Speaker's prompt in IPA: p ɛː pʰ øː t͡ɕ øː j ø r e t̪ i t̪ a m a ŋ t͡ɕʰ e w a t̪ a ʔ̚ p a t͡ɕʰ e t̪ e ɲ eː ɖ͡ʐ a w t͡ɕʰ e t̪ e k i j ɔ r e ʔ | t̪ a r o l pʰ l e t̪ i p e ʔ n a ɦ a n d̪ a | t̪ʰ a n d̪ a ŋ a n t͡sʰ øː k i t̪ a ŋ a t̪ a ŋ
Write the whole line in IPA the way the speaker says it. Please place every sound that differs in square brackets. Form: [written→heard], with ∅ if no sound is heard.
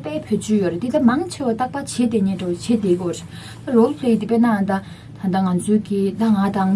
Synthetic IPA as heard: p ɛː pʰ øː t͡ɕ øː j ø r e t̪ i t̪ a m a ŋ t͡ɕʰ e w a t̪ a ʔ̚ p a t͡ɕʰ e t̪ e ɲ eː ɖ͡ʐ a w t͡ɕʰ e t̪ e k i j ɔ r e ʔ | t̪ a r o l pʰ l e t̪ i p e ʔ n a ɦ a n d̪ a | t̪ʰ a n d̪ a ŋ a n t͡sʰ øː k i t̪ a ŋ a t̪ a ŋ

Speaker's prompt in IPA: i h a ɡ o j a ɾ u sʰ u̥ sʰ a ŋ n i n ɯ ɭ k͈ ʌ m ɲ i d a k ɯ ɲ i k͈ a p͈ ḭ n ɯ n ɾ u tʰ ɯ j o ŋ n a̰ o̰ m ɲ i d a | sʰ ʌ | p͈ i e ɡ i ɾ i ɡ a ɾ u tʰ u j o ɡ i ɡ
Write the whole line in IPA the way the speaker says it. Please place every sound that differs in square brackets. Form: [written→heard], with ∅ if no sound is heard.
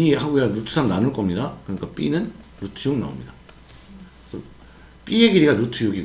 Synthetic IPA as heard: i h a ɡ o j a ɾ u [sʰ→tʰ] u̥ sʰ a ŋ n [i→a] n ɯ ɭ k͈ ʌ m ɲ i d a k ɯ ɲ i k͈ a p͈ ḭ n ɯ n ɾ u tʰ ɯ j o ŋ n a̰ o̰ m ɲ i d a | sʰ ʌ | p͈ i e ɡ i ɾ i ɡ a ɾ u tʰ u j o ɡ i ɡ

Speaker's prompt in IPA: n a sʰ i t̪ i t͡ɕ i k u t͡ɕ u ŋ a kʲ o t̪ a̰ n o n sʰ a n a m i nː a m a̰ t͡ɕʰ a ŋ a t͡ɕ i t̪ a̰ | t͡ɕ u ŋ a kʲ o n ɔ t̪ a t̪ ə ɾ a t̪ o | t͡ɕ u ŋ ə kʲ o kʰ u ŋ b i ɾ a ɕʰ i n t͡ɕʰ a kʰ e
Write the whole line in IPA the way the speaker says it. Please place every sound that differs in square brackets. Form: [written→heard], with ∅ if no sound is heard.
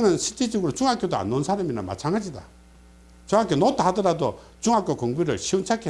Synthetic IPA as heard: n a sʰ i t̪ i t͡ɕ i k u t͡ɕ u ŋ a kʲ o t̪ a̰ n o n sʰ a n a m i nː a m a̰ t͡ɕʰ a ŋ a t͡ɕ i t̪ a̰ | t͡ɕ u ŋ a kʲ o n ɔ t̪ a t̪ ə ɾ a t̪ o | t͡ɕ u ŋ [ə→a] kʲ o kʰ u ŋ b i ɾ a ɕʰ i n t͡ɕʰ a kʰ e

